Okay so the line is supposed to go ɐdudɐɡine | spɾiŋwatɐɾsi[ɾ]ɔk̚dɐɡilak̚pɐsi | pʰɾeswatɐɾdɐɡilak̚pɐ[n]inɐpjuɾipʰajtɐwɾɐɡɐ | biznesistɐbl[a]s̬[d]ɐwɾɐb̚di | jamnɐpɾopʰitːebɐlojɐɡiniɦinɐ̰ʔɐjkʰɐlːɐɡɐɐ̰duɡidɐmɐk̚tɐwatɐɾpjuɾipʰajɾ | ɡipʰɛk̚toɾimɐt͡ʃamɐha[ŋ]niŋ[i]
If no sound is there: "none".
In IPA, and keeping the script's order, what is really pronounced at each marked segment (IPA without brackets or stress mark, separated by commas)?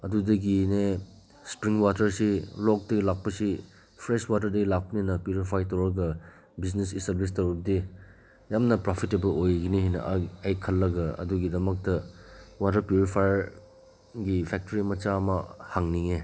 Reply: l, n, i, t, ŋ, e